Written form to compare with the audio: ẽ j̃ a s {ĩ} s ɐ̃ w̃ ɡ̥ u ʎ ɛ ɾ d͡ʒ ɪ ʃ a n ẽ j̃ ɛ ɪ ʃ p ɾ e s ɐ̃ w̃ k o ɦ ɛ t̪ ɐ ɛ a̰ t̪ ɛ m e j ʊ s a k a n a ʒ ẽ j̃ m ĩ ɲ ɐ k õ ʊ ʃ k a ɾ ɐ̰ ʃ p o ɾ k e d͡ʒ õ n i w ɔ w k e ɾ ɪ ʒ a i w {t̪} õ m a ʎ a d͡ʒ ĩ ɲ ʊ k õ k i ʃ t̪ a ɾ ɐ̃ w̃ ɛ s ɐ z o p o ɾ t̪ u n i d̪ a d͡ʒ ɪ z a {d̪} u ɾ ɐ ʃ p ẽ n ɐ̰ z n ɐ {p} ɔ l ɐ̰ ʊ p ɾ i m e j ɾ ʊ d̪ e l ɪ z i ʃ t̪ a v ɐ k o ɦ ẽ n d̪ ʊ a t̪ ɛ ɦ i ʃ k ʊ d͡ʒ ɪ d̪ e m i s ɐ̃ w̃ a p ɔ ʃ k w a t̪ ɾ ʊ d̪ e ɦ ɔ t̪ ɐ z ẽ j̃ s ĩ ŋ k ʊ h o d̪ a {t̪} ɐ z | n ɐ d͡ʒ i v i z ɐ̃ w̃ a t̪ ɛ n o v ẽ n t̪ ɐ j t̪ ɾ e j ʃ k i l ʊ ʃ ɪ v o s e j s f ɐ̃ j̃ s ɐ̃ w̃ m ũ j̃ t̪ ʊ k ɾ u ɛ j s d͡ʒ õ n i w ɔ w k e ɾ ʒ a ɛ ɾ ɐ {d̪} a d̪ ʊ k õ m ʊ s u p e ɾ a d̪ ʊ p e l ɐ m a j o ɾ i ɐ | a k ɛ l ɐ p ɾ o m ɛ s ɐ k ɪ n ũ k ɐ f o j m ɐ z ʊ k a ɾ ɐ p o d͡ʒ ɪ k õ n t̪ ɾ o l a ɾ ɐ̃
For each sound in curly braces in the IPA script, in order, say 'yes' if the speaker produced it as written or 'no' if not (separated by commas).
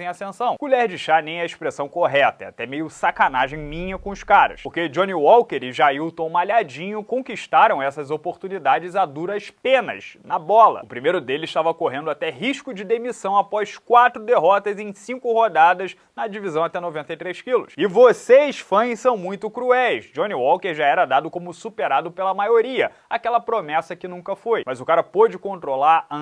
no, yes, yes, no, no, yes